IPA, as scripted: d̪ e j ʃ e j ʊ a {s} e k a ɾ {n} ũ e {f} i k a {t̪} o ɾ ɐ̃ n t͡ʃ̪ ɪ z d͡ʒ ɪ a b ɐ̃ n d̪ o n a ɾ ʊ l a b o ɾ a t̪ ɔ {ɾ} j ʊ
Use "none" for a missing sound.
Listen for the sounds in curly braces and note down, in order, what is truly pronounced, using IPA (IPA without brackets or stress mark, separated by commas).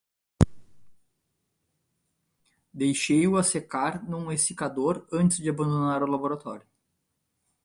s, n, s, d̪, ɾ